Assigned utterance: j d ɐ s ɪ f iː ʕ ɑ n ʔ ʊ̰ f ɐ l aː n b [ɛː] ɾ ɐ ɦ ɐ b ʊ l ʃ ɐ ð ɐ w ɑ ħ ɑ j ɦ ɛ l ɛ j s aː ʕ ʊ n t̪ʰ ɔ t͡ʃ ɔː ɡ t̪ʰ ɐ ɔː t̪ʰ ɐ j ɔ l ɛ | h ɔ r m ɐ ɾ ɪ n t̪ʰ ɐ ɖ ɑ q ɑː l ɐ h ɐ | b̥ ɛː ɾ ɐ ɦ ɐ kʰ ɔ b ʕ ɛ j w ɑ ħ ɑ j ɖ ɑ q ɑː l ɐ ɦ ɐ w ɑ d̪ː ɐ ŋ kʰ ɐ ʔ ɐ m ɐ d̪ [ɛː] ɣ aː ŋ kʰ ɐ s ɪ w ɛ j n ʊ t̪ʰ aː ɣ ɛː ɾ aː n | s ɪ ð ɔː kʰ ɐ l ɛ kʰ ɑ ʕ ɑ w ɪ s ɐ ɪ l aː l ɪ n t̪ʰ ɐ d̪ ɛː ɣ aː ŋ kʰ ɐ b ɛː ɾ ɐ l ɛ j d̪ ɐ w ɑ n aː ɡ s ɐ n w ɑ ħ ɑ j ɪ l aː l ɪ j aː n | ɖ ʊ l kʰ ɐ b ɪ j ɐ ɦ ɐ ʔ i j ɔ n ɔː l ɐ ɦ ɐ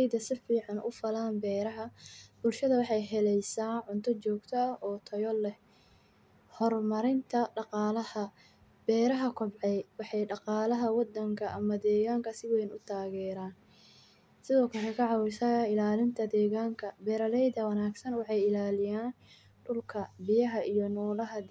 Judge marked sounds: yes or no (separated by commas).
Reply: yes, yes